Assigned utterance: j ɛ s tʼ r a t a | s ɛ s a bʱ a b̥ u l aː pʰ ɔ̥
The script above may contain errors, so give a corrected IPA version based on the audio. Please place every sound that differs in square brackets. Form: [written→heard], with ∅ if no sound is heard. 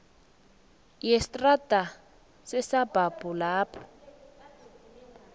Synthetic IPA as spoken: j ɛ s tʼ r a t a | s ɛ s a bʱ a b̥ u l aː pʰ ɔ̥

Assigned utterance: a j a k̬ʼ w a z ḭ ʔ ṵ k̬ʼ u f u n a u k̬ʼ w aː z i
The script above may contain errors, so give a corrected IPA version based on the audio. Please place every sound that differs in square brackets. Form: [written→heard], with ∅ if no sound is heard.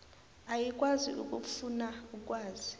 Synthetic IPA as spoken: a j [a→i] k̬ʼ w a z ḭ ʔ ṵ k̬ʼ u f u n a u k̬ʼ w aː z i

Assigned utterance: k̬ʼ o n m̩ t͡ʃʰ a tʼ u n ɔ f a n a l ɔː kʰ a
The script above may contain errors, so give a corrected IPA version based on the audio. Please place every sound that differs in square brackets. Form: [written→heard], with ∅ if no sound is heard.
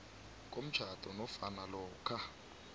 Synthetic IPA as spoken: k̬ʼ o [n→∅] m̩ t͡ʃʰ a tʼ [u→ɔ] n ɔ f a n a l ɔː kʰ a

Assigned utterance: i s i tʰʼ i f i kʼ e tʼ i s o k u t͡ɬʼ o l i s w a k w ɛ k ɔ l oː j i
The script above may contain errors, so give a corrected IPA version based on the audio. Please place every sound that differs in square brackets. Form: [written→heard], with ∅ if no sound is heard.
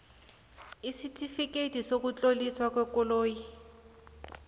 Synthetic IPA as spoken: i s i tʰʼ i f i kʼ e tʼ i s o k u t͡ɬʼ o l i s w a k w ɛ k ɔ l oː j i

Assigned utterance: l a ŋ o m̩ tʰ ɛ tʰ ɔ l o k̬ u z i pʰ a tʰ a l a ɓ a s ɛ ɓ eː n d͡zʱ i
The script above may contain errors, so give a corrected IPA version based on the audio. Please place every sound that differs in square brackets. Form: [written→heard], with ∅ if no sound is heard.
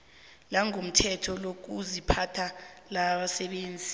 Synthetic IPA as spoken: l a ŋ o m̩ tʰ ɛ tʰ ɔ l o k̬ u z i pʰ a tʰ a l a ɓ a s ɛ ɓ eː n d͡zʱ i

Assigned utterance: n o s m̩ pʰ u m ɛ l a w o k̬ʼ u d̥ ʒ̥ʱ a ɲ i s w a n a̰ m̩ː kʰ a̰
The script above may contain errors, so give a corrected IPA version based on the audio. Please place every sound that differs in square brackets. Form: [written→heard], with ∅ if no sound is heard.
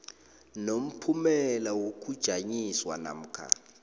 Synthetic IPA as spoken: n o [s→∅] m̩ pʰ u m ɛ l a w o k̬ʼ u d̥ ʒ̥ʱ a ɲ i s w a n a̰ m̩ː kʰ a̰

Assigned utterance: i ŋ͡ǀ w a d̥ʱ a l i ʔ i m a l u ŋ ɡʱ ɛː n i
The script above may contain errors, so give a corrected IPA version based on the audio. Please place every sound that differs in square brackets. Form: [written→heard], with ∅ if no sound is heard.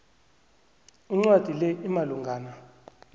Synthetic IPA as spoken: i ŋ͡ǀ w a d̥ʱ [a→i] l [i→ɛ] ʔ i m a l u ŋ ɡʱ [ɛː→aː] n [i→a]

